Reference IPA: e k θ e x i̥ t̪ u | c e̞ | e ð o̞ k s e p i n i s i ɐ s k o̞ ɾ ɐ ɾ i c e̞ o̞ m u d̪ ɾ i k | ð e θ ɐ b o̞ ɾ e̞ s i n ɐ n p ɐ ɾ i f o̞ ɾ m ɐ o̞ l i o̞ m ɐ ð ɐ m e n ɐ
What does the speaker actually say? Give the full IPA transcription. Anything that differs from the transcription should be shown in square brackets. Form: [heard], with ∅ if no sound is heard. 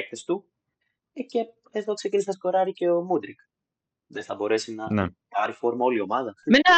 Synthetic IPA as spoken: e k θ e [s] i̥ t̪ u | c e̞ | e ð o̞ k s e [c] i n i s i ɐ s k o̞ ɾ ɐ ɾ i c e̞ o̞ m u d̪ ɾ i k | ð e θ ɐ b o̞ ɾ e̞ s i n ɐ n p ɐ ɾ i f o̞ ɾ m ɐ o̞ l i o̞ m ɐ ð ɐ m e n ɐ